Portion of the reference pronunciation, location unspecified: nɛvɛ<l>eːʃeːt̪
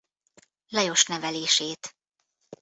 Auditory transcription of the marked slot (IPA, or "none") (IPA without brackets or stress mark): l